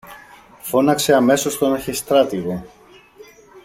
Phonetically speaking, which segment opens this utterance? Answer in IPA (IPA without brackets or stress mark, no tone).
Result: f